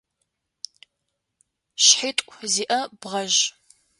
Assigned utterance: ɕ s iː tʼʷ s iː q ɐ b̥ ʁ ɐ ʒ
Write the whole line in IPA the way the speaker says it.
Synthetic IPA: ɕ ħ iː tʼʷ z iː ʔ ɐ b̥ ʁ ɐ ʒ